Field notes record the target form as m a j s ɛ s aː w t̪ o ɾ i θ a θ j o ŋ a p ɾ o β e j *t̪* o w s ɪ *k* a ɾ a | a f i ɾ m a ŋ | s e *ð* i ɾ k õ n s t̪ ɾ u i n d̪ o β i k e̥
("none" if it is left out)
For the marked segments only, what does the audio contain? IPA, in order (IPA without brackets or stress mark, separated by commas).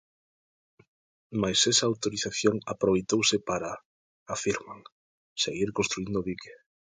t̪, p, ɣ